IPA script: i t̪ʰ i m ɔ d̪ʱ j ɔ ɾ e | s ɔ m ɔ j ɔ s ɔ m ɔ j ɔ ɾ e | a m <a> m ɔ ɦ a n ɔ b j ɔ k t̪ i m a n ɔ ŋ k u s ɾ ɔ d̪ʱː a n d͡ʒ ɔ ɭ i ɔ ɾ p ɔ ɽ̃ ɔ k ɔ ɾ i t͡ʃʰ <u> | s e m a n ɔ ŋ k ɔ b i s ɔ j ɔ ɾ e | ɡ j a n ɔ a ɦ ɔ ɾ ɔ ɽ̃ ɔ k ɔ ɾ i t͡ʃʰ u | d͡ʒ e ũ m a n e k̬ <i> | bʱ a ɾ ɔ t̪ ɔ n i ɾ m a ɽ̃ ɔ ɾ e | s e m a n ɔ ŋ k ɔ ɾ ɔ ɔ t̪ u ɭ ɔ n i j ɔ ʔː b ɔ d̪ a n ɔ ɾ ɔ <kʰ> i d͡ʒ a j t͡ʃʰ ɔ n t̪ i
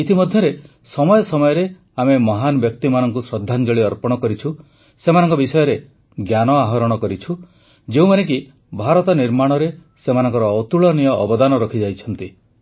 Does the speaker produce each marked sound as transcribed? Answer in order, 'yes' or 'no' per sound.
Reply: no, yes, yes, yes

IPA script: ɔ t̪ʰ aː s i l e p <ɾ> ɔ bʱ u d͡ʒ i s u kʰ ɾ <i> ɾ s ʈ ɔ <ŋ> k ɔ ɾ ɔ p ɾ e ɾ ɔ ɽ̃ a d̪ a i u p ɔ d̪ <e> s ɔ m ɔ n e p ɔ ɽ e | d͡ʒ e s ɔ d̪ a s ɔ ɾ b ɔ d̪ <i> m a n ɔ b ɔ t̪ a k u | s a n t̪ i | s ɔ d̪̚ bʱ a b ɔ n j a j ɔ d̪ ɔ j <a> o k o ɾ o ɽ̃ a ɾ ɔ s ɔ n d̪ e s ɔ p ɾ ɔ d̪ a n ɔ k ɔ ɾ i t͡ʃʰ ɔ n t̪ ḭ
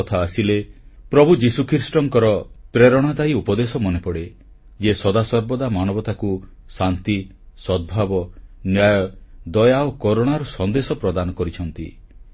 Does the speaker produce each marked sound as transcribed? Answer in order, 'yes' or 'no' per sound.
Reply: yes, yes, yes, yes, no, yes

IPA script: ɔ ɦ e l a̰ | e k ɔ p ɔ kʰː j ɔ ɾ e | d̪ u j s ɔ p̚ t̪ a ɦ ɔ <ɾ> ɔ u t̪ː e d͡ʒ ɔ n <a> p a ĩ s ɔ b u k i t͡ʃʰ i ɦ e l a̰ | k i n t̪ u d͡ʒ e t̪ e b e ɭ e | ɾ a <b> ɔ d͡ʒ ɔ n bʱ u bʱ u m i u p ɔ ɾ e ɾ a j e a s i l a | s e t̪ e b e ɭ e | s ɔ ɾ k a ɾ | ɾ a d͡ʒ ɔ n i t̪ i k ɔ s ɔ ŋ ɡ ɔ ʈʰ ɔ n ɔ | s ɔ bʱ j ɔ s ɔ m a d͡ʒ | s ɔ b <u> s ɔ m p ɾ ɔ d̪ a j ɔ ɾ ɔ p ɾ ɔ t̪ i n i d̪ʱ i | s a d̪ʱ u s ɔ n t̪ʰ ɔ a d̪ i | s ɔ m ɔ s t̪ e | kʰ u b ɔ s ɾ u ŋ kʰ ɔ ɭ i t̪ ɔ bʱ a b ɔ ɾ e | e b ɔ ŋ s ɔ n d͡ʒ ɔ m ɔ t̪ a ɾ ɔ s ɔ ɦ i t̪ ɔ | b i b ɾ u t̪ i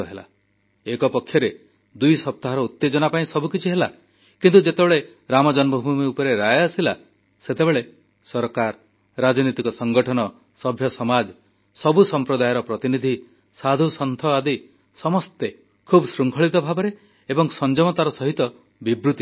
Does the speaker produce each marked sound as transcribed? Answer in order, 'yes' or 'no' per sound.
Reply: yes, yes, no, yes

